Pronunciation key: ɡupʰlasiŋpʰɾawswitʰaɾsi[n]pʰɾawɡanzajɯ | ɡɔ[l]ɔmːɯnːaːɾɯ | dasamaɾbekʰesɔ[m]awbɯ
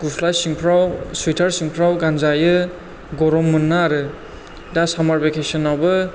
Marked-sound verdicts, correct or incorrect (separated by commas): incorrect, incorrect, incorrect